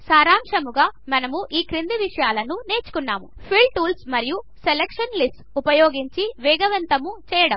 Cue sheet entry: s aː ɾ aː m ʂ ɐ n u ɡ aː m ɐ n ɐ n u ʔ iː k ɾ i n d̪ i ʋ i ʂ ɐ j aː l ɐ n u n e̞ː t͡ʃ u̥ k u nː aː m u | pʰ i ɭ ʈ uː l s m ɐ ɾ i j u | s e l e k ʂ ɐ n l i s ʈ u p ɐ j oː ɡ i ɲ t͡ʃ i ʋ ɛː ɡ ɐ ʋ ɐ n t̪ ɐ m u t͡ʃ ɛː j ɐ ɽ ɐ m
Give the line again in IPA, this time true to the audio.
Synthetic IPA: s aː ɾ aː m ʂ ɐ m u ɡ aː m ɐ n ɐ m u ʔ iː k ɾ i n d̪ i ʋ i ʂ ɐ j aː l ɐ n u n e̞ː t͡ʃ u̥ k u nː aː m u | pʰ i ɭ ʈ uː l s m ɐ ɾ i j u | s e l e k ʂ ɐ n l i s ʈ u p ɐ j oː ɡ i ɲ t͡ʃ i ʋ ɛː ɡ ɐ ʋ ɐ n t̪ ɐ m u t͡ʃ ɛː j ɐ ɽ ɐ m